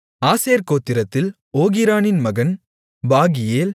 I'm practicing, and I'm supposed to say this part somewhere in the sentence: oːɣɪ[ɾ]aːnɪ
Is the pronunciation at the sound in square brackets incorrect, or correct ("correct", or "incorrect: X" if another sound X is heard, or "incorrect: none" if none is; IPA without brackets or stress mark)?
correct